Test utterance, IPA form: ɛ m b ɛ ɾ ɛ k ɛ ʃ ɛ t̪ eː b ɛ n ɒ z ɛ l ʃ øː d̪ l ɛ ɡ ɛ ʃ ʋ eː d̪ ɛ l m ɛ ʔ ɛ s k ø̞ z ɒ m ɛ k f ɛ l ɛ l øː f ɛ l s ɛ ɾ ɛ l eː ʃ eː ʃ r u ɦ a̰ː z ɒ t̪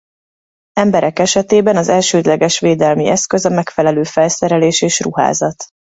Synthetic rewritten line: ɛ m b ɛ ɾ ɛ k ɛ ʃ ɛ t̪ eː b ɛ n ɒ z ɛ l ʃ øː d̪ l ɛ ɡ ɛ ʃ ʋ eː d̪ ɛ l m i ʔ ɛ s k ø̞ z ɒ m ɛ k f ɛ l ɛ l øː f ɛ l s ɛ ɾ ɛ l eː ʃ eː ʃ r u ɦ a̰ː z ɒ t̪